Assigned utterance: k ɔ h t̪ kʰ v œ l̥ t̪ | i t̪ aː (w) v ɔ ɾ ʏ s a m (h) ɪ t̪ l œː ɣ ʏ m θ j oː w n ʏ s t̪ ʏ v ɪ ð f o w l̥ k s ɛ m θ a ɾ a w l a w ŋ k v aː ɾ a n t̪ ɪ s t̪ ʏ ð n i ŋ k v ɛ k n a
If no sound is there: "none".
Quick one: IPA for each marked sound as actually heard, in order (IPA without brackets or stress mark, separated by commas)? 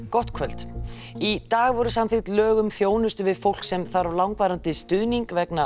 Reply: ɣ, θ